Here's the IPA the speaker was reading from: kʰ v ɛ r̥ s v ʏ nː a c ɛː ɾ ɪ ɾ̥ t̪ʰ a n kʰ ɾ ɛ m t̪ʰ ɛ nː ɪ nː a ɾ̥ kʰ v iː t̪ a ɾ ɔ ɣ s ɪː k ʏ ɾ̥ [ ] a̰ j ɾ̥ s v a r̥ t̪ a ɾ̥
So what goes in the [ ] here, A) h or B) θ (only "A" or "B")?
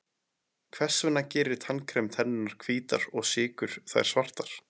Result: B